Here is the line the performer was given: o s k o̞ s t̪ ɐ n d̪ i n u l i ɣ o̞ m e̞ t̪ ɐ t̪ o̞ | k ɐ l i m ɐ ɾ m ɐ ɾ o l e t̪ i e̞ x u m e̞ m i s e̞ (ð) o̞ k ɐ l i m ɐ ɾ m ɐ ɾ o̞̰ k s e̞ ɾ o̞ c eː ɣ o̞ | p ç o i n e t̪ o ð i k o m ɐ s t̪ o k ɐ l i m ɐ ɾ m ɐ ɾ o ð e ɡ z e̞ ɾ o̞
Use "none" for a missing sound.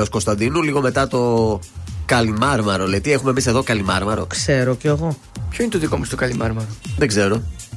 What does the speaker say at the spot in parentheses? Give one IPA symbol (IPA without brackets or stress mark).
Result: ð